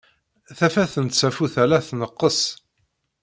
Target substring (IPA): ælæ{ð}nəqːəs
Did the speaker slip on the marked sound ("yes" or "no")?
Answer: yes